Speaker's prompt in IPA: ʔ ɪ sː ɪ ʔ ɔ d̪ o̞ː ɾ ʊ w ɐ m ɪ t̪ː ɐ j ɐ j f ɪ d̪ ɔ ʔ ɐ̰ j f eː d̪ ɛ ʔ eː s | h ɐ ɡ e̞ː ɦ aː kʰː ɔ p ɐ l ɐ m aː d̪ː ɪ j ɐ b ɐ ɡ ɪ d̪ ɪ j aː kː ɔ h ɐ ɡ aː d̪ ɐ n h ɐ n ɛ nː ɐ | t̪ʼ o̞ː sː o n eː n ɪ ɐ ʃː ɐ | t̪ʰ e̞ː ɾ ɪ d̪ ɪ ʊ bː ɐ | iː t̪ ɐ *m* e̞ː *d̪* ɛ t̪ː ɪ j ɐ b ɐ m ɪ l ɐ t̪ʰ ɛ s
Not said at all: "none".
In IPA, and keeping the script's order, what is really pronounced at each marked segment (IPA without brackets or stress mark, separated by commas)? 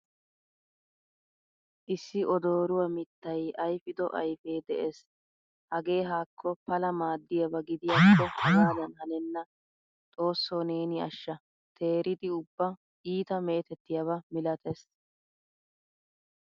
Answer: m, t̪